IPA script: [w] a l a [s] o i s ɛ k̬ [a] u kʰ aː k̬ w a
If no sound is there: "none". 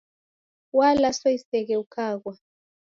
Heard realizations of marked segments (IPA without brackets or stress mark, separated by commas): w, s, ɛ